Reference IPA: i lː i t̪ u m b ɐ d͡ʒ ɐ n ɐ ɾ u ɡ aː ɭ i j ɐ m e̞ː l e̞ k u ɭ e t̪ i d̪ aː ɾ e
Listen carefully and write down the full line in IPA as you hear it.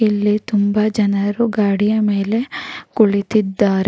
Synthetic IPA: i lː i t̪ u m b ɐ d͡ʒ ɐ n ɐ ɾ u ɡ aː ɽ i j ɐ m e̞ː l e̞ k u ɭ i t̪ i d̪ː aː ɾ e

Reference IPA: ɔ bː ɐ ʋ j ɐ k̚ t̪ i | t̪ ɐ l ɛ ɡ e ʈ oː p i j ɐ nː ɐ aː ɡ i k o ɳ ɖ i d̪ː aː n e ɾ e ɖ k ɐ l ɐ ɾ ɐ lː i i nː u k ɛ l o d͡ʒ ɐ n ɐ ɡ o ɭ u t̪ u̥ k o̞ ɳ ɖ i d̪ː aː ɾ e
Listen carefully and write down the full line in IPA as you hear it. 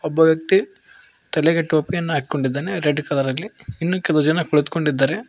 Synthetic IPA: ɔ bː ɐ ʋ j ɐ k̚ t̪ i | t̪ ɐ l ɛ ɡ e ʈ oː p i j ɐ nː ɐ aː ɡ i k o ɳ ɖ i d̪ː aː n e ɾ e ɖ k ɐ l ɐ ɾ ɐ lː i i nː u k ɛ l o d͡ʒ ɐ n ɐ k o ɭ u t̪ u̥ k o̞ ɳ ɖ i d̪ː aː ɾ e

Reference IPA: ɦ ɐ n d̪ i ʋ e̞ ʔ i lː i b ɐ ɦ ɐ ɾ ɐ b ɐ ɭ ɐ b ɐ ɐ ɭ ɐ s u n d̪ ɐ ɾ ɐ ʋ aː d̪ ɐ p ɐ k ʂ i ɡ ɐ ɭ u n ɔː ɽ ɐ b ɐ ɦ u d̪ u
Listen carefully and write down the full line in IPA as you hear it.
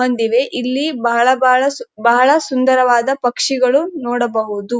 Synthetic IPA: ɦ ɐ n d̪ i ʋ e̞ ʔ i lː i b ɐ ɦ ɐ ɭ ɐ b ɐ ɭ ɐ b ɐ ɐ ɭ ɐ s u n d̪ ɐ ɾ ɐ ʋ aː d̪ ɐ p ɐ k ʂ i ɡ ɐ ɭ u n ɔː ɽ ɐ b ɐ ɦ u d̪ u

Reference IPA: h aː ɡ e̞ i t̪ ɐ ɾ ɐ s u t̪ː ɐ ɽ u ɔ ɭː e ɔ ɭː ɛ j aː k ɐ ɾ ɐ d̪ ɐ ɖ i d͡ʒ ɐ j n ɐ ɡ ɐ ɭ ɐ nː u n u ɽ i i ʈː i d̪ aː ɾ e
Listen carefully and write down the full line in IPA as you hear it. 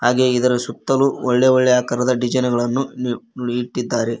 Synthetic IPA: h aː ɡ e̞ i d̪ ɐ ɾ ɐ s u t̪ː ɐ l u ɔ ɭː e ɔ ɭː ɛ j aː k ɐ ɾ ɐ d̪ ɐ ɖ i d͡ʒ ɐ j n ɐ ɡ ɐ ɭ ɐ nː u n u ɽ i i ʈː i d̪ː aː ɾ e

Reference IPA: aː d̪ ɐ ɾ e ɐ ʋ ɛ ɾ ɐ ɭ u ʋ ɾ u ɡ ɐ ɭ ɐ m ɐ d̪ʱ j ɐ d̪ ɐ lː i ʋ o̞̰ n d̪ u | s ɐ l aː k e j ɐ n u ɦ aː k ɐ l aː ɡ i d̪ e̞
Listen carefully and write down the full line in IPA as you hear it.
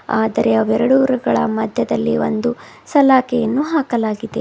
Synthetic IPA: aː d̪ ɐ ɾ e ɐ ʋ ɛ ɾ ɐ ɽ u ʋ ɾ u ɡ ɐ ɭ ɐ m ɐ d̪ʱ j ɐ d̪ ɐ lː i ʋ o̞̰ n d̪ u | s ɐ l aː k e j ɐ nː u ɦ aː k ɐ l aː ɡ i d̪ e̞

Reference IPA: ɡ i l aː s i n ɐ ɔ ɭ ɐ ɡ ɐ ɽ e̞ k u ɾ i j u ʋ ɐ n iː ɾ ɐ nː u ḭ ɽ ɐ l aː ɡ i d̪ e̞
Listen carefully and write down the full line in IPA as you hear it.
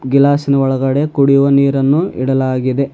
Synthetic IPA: ɡ i l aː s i n ɐ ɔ ɭ ɐ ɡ ɐ ɽ e̞ k u ɽ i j u ʋ ɐ n iː ɾ ɐ nː u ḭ ɽ ɐ l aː ɡ i d̪ e̞

